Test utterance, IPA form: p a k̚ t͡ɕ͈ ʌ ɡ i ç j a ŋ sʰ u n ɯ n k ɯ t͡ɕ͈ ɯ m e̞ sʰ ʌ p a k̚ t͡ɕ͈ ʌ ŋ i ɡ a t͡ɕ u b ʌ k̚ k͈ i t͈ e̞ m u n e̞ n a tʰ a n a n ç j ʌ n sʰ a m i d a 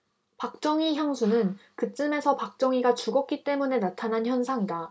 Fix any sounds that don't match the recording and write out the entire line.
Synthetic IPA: p a k̚ t͡ɕ͈ ʌ ŋ i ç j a ŋ sʰ u n ɯ n k ɯ t͡ɕ͈ ɯ m e̞ sʰ ʌ p a k̚ t͡ɕ͈ ʌ ŋ i ɡ a t͡ɕ u ɡ ʌ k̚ k͈ i t͈ e̞ m u n e̞ n a tʰ a n a n ç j ʌ n sʰ a ŋ i d a

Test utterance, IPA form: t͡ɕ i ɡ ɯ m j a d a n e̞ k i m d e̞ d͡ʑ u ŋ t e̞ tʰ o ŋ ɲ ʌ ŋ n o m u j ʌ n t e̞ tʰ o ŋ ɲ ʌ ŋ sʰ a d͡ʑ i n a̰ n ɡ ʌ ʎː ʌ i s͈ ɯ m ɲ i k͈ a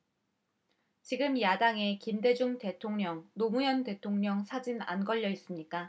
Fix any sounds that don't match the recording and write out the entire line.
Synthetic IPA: t͡ɕ i ɡ ɯ m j a d a ŋ e̞ k i m d e̞ d͡ʑ u ŋ t e̞ tʰ o ŋ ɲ ʌ ŋ n o m u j ʌ n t e̞ tʰ o ŋ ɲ ʌ ŋ sʰ a d͡ʑ i n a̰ n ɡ ʌ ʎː ʌ i s͈ ɯ m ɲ i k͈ a

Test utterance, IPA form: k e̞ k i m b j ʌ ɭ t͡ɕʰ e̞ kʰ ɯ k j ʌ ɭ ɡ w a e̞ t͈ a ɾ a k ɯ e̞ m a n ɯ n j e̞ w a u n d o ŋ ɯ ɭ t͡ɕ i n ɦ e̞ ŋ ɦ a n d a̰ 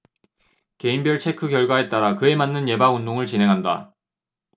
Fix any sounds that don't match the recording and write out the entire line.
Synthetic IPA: k e̞ i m b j ʌ ɭ t͡ɕʰ e̞ kʰ ɯ k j ʌ ɭ ɡ w a e̞ t͈ a ɾ a k ɯ e̞ m a nː ɯ n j e̞ b a u n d o ŋ ɯ ɭ t͡ɕ i n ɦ e̞ ŋ ɦ a n d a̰

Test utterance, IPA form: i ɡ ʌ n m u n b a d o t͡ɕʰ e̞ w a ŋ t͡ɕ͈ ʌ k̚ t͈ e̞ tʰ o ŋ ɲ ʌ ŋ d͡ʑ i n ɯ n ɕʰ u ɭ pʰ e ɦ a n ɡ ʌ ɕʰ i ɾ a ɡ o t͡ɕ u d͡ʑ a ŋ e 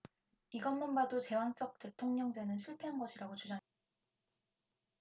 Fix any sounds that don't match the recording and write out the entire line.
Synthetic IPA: i ɡ ʌ n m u n b a d o t͡ɕ e̞ w a ŋ t͡ɕ͈ ʌ k̚ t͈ e̞ tʰ o ŋ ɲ ʌ ŋ d͡ʑ e n ɯ n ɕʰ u ɭ pʰ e ɦ a n ɡ ʌ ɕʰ i ɾ a ɡ o t͡ɕ u d͡ʑ a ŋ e

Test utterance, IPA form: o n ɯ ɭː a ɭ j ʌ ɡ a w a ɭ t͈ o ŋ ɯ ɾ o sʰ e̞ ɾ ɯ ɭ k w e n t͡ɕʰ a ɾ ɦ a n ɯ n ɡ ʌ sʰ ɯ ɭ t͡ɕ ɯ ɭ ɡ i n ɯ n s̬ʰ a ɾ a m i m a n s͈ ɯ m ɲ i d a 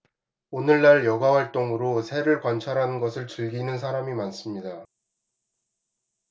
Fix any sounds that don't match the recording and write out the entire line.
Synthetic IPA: o n ɯ ɭː a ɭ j ʌ ɡ a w a ɭ t͈ o ŋ ɯ ɾ o sʰ e̞ ɾ ɯ ɭ k w a n t͡ɕʰ a ɾ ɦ a n ɯ n ɡ ʌ sʰ ɯ ɭ t͡ɕ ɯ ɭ ɡ i n ɯ n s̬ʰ a ɾ a m i m a n s͈ ɯ m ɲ i d a

